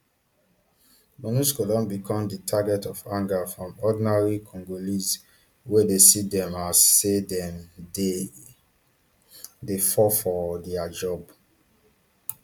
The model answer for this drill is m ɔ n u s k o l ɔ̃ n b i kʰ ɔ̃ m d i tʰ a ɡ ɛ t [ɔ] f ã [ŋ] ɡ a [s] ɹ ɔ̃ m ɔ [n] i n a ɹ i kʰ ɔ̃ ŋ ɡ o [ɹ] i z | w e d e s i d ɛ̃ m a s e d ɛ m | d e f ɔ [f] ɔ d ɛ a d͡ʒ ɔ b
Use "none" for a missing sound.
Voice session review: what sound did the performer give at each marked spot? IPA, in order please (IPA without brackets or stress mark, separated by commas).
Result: ɔ, ŋ, f, d, l, f